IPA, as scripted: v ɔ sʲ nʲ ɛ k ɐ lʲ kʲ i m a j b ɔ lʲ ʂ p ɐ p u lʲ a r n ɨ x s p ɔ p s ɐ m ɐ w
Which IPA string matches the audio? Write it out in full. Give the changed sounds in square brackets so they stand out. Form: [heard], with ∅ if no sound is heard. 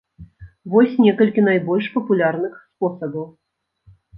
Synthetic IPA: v ɔ sʲ nʲ ɛ k ɐ lʲ kʲ i [n] a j b ɔ lʲ ʂ p ɐ p u lʲ a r n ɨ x s p ɔ [∅] s ɐ [b] ɐ w